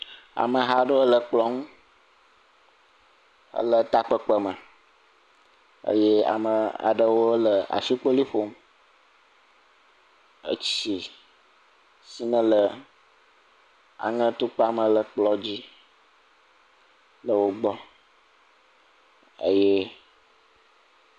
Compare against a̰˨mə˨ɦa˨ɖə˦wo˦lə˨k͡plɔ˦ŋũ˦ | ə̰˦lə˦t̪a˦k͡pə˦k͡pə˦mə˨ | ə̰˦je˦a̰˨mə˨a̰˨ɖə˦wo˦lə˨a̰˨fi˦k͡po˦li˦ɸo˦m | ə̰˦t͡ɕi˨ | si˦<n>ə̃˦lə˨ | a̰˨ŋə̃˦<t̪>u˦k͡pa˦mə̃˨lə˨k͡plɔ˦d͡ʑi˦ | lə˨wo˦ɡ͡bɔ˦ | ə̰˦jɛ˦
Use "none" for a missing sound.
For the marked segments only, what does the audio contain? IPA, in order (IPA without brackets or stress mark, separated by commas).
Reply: n, t̪